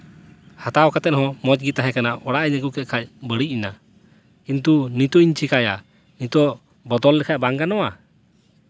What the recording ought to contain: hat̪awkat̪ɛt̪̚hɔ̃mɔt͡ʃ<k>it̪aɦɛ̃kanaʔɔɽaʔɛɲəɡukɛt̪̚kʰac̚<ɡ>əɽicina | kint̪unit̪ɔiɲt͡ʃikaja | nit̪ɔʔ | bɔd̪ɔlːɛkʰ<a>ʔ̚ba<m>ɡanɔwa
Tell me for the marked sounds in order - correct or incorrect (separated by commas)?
incorrect, incorrect, correct, incorrect